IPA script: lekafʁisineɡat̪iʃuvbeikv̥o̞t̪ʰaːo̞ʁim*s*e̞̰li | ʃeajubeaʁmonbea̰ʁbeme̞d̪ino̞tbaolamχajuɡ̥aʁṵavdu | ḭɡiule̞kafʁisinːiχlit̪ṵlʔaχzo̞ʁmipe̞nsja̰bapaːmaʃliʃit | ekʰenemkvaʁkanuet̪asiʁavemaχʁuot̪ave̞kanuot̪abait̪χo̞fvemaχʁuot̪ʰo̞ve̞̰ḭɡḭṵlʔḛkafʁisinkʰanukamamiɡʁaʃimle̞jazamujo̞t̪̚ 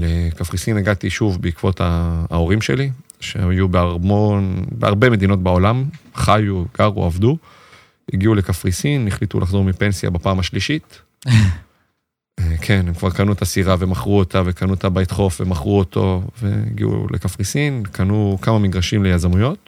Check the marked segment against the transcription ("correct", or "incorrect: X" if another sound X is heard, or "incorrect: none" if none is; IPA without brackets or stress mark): incorrect: ʃ